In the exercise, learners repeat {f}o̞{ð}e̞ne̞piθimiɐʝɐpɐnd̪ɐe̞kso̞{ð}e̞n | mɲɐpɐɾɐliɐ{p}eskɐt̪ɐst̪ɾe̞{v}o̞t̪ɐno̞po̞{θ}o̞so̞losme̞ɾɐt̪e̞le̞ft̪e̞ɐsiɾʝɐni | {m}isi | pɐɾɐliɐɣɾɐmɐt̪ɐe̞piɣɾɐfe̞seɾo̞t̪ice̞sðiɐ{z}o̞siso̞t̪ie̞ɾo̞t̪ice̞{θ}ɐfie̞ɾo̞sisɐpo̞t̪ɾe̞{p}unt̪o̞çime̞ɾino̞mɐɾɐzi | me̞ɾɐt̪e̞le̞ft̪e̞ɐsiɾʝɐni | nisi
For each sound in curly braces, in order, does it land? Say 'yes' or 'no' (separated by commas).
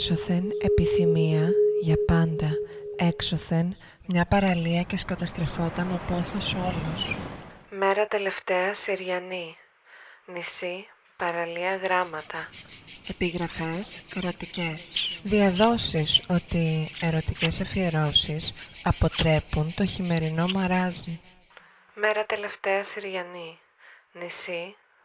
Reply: no, no, no, no, no, yes, no, no, no, yes